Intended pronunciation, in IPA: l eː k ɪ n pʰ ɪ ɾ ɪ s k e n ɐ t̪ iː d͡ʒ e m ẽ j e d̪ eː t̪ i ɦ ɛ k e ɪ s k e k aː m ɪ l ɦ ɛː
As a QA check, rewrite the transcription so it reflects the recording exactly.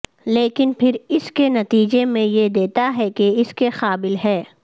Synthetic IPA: l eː k ɪ n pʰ ɪ ɾ ɪ s k e n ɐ t̪ iː d͡ʒ e m ẽ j e d̪ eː t̪ a ɦ ɛ k e ɪ s k e x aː b ɪ l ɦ ɛː